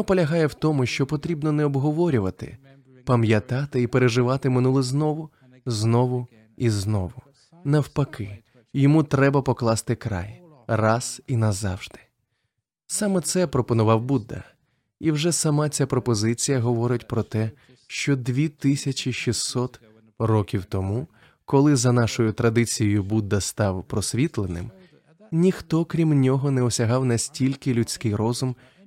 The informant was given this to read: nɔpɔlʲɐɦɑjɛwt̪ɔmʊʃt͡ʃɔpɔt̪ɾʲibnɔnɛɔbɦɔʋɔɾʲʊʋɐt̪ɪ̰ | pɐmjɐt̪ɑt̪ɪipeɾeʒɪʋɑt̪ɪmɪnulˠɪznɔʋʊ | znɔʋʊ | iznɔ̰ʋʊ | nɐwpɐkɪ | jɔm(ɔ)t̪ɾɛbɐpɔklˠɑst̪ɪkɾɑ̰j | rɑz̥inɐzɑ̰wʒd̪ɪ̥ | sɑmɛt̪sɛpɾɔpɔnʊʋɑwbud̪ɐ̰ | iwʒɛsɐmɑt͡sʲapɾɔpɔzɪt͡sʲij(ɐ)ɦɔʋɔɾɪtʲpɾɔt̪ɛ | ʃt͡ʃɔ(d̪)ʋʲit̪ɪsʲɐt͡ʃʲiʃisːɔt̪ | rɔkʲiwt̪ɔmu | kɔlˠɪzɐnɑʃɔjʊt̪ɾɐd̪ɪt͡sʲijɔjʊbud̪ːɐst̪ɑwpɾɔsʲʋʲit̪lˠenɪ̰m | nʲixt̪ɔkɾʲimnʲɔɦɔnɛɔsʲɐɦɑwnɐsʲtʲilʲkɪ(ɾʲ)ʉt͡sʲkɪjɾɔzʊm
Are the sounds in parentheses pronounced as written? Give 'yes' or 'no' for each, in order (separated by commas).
no, yes, yes, no